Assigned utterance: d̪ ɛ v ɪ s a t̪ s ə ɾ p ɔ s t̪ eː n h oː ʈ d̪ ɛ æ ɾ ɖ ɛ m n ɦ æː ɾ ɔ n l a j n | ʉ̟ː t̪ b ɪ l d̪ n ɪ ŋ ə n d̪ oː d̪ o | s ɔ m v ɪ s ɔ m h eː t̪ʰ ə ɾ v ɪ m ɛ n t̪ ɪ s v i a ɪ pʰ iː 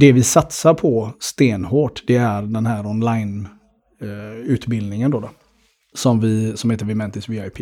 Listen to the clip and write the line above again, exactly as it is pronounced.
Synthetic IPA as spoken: d̪ ɛ v ɪ s a t̪ s a ɾ pʰ ɔ s t̪ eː n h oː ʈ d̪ ɛ æ ɾ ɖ ɛ n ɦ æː ɾ ɔ n l a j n | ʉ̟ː t̪ b ɪ l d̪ n ɪ ŋ ə n d̪ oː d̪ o | s ɔ m v ɪ s ɔ m h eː t̪ ə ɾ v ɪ m ɛ n t̪ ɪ s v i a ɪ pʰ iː